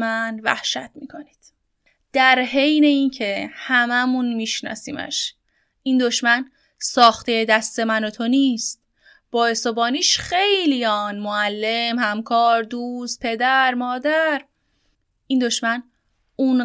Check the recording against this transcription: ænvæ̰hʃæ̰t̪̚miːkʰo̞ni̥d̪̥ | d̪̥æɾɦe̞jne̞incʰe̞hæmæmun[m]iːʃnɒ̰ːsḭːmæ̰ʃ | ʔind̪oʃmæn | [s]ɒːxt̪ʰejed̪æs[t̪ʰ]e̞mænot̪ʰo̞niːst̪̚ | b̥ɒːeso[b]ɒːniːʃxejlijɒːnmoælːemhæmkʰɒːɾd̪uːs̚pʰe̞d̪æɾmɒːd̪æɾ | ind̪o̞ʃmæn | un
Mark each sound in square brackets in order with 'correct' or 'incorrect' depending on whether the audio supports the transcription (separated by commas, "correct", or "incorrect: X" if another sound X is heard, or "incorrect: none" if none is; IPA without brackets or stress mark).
correct, correct, incorrect: t̪, correct